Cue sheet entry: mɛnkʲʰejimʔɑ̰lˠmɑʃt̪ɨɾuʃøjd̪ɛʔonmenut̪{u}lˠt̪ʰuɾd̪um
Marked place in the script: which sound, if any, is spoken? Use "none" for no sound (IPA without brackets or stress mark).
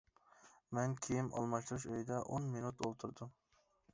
o